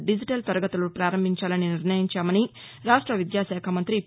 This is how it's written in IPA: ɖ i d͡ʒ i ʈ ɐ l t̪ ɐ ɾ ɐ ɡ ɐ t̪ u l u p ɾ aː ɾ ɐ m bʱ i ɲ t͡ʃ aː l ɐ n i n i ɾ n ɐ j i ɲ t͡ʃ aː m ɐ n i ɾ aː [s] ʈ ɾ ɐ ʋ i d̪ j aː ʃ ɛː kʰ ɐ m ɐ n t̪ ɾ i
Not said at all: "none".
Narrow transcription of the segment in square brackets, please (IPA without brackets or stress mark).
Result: ʂ